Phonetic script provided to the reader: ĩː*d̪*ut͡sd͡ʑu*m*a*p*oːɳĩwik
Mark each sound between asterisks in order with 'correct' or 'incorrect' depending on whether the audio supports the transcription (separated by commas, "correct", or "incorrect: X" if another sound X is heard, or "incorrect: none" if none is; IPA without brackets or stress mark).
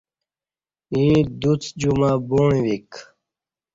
correct, correct, incorrect: b